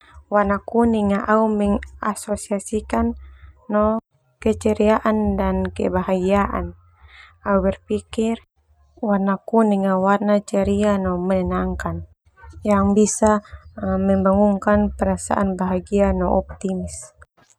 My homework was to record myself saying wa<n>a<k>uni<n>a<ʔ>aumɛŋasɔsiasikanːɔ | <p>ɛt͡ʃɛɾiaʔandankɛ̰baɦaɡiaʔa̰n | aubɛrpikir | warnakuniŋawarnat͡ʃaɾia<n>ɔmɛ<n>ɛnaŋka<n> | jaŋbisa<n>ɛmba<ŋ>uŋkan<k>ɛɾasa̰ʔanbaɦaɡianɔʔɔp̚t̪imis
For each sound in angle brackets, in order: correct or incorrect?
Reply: correct, correct, incorrect: ŋ, correct, incorrect: k, correct, correct, correct, incorrect: m, correct, incorrect: p

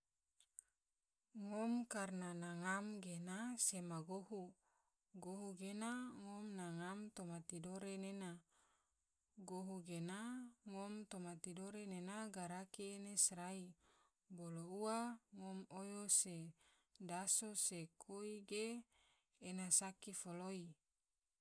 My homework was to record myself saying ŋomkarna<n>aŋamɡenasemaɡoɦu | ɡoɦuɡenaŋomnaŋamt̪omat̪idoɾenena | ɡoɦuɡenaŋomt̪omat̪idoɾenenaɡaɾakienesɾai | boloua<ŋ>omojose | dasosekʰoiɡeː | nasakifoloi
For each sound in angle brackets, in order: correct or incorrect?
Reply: correct, correct

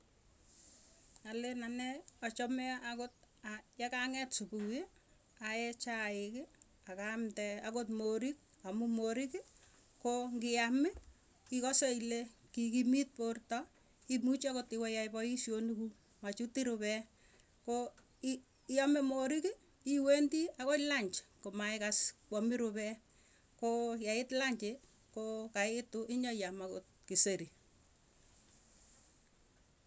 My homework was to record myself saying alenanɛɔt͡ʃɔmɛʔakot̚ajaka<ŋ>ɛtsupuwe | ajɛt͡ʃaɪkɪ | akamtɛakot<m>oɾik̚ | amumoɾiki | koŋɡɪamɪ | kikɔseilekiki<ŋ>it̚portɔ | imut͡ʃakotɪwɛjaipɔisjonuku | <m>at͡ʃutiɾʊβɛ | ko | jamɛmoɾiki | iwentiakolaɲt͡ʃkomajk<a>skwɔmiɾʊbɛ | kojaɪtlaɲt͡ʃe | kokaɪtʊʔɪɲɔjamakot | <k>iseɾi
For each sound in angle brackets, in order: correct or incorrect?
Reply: correct, correct, incorrect: m, correct, correct, correct

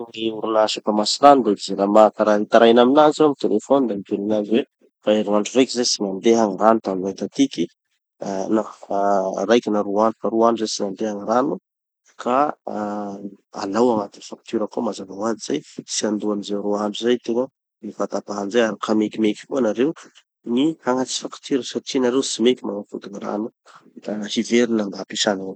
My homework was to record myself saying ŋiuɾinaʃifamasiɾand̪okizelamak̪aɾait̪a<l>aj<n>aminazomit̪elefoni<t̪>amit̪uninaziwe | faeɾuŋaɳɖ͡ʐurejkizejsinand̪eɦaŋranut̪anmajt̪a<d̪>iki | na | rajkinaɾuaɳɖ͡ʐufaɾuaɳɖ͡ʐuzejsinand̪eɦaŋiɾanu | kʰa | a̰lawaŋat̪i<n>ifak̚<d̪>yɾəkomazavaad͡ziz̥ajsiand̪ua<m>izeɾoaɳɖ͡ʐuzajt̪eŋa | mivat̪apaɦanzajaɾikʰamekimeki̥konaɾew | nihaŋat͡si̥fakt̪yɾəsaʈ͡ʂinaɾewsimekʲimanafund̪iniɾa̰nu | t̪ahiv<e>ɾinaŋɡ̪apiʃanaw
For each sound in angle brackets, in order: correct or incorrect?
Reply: incorrect: ɾ, correct, incorrect: d̪, incorrect: t̪, correct, incorrect: t̪, incorrect: n, correct

